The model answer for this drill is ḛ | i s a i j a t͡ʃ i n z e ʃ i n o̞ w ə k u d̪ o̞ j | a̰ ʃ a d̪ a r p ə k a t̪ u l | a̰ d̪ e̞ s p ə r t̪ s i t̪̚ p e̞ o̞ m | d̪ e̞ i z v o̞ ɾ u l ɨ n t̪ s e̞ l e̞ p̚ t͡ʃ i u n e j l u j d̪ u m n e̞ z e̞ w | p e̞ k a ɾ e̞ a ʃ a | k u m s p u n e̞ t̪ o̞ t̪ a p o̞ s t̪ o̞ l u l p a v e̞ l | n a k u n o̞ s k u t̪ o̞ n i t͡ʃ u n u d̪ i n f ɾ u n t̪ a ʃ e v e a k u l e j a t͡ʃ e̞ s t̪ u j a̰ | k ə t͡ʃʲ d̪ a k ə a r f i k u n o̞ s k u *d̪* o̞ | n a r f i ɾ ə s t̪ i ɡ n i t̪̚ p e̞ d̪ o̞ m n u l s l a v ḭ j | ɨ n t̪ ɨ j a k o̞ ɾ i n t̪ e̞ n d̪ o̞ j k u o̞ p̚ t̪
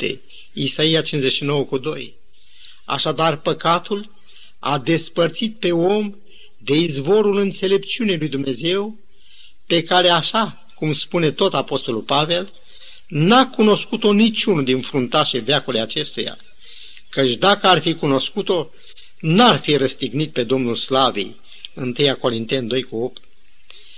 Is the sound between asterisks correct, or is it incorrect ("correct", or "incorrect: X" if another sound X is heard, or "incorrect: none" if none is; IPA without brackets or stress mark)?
incorrect: t̪